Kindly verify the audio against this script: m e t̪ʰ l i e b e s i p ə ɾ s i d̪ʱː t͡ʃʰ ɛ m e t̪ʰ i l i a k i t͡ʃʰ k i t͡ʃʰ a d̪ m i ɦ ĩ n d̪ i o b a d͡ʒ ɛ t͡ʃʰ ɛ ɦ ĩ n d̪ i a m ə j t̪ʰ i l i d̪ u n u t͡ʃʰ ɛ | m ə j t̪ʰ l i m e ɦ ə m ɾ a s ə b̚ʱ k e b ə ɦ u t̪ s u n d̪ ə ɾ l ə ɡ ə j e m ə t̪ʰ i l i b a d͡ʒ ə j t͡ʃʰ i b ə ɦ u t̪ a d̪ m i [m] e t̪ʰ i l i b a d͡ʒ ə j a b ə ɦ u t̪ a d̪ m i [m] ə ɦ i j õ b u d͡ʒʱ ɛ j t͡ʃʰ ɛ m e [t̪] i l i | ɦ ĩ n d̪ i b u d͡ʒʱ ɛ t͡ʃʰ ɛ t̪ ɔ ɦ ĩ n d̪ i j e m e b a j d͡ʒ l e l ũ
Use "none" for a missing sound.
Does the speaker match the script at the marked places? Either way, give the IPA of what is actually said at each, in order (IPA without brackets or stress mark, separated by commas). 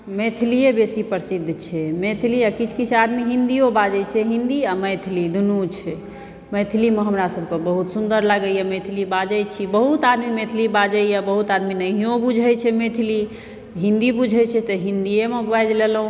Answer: m, n, t̪ʰ